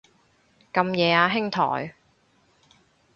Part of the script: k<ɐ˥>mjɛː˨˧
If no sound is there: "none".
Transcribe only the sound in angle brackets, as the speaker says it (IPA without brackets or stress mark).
ɐ˧